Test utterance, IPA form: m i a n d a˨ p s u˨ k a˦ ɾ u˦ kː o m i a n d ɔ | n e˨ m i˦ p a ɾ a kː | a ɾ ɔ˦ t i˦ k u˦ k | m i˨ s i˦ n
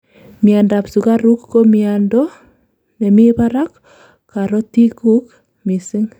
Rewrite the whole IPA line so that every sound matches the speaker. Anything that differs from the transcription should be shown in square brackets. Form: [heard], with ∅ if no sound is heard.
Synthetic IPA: m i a n d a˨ p s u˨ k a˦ ɾ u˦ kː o m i a n d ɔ | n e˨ m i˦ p a ɾ a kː | a ɾ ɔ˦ t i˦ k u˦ k | m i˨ s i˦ [ŋ]